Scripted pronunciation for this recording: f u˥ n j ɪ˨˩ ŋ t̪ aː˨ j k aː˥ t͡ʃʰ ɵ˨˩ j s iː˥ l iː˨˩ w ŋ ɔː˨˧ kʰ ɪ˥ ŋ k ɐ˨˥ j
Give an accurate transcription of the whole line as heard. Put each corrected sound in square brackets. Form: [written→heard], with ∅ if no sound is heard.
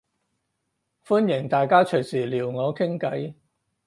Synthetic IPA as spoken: f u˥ n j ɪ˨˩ ŋ t̪ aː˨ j k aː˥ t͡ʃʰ ɵ˨˩ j s [iː˥→iː˨˩] l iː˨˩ w ŋ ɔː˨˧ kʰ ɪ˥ ŋ k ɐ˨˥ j